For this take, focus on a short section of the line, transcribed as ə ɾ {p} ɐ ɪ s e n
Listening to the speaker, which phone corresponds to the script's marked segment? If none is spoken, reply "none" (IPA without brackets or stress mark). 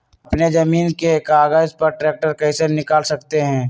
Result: k